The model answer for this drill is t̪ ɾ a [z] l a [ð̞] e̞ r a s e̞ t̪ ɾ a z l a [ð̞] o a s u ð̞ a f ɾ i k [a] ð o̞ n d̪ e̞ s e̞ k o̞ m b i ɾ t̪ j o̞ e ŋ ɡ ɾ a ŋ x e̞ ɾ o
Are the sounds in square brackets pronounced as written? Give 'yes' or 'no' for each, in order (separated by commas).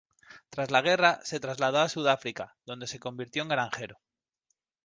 yes, no, yes, yes